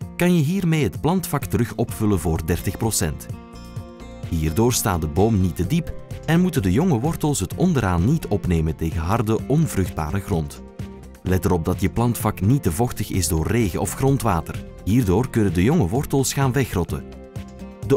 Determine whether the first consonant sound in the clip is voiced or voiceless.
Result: voiceless